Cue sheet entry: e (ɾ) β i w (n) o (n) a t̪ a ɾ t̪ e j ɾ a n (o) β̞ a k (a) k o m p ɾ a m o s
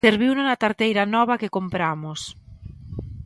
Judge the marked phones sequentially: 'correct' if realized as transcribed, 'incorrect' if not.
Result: correct, correct, correct, incorrect: ɔ, incorrect: e

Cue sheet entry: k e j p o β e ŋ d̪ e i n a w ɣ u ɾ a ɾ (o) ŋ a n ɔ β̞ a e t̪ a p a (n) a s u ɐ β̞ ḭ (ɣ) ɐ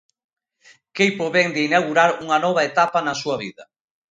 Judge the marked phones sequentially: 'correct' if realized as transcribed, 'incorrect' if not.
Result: incorrect: u, correct, incorrect: ð

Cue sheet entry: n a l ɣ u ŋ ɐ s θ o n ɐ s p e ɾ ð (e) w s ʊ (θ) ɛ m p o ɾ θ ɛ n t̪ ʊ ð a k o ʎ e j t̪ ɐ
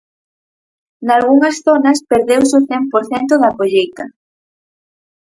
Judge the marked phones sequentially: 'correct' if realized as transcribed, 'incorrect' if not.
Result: correct, correct

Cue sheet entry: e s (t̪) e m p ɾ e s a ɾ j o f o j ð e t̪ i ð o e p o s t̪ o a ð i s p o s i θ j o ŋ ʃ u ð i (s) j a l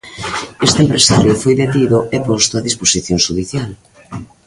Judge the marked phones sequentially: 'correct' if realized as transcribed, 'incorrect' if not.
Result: correct, incorrect: θ

